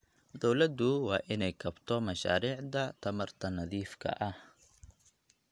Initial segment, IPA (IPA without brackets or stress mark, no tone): d̪